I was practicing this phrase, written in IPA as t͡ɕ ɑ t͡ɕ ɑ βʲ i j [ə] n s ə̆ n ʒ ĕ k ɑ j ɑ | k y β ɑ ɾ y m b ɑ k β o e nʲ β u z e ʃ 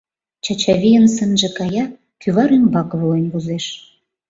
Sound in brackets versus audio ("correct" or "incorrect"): correct